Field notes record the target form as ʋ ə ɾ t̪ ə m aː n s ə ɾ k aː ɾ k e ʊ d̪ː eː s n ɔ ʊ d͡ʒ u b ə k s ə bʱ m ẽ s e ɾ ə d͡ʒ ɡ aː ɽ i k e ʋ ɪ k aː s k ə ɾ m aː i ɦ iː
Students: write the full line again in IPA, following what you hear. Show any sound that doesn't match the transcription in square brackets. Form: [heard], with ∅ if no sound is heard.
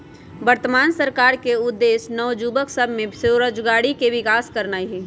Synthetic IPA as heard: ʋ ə ɾ t̪ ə m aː n s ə ɾ k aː ɾ k e ʊ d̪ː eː s n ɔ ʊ d͡ʒ u b ə k s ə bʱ m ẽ s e ɾ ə d͡ʒ ɡ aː ɽ i k e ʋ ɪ k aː s k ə ɾ [n] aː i ɦ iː